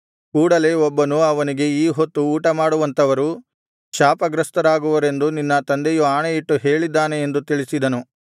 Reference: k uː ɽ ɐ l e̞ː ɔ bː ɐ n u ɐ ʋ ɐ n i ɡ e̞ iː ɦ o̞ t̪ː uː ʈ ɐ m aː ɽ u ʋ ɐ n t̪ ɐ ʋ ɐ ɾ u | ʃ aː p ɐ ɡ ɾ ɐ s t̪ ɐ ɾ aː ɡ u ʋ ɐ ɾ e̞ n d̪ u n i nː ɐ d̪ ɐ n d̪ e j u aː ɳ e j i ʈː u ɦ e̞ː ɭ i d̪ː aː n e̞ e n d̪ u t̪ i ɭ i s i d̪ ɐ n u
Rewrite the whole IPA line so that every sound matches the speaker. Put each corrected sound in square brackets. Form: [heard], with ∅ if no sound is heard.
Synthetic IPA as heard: k uː ɽ ɐ l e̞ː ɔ bː ɐ n u ɐ ʋ ɐ n i ɡ e̞ iː ɦ o̞ t̪ː uː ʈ ɐ m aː ɽ u ʋ ɐ n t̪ ɐ ʋ ɐ ɾ u | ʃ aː p ɐ ɡ ɾ ɐ s t̪ ɐ ɾ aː ɡ u ʋ ɐ ɾ e̞ n d̪ u n i nː ɐ [t̪] ɐ n d̪ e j u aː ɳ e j i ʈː u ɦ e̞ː ɭ i d̪ː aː n e̞ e n d̪ u t̪ i ɭ i s i d̪ ɐ n u